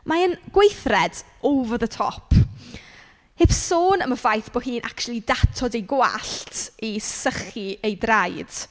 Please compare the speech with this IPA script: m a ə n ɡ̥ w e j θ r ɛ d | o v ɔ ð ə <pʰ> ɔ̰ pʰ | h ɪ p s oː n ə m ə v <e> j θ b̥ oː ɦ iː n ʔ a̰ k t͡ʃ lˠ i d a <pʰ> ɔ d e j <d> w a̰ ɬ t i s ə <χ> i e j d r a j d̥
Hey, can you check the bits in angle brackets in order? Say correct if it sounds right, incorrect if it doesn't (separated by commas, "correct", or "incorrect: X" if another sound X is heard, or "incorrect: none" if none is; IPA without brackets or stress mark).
incorrect: tʰ, incorrect: a, incorrect: tʰ, incorrect: ɡ, correct